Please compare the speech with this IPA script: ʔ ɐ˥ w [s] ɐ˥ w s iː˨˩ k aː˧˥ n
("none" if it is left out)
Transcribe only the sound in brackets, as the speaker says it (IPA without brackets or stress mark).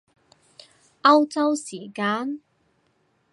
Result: t͡s